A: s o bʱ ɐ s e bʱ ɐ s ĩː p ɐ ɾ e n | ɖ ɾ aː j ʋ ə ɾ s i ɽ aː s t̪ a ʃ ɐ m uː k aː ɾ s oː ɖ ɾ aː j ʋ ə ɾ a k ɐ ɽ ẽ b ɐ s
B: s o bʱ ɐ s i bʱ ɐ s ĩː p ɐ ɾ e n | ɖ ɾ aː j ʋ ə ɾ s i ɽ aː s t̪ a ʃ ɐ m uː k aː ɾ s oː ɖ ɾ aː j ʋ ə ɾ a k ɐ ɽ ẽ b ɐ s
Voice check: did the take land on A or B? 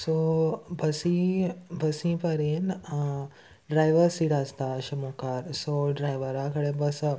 B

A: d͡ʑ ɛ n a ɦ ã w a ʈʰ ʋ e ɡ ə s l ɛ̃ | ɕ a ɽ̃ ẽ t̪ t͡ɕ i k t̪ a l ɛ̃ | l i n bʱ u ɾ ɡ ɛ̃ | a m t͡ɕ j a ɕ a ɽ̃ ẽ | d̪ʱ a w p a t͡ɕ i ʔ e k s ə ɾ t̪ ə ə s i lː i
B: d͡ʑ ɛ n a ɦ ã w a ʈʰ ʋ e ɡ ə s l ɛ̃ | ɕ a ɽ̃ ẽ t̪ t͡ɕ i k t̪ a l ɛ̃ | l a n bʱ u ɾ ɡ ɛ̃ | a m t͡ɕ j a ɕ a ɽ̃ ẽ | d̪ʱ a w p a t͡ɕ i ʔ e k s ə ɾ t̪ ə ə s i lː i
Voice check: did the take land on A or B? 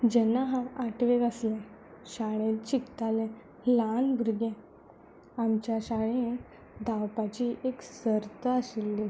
B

